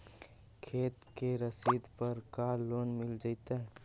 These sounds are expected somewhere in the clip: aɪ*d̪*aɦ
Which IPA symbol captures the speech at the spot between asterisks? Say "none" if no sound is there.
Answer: t̪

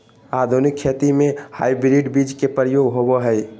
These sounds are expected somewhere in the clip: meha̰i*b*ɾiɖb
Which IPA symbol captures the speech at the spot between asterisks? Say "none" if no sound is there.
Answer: b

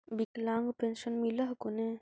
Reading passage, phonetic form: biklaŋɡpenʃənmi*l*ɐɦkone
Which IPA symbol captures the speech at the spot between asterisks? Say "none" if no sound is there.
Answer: l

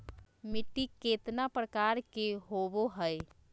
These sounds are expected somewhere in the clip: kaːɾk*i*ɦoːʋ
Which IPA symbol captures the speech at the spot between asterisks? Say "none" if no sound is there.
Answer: e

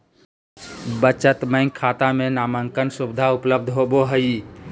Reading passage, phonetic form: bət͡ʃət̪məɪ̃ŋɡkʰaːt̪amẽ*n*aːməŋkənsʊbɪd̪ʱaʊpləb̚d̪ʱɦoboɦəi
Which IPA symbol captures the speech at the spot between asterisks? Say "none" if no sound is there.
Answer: n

